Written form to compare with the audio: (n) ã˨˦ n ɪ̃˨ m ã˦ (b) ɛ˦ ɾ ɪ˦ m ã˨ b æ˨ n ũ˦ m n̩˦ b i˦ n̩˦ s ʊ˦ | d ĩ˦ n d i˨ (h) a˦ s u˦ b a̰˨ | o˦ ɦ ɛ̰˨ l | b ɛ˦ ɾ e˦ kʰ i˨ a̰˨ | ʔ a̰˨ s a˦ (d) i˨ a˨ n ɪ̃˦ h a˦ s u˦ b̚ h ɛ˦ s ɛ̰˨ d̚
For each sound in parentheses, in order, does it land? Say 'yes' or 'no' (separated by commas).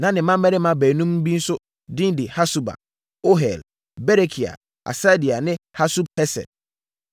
yes, no, yes, yes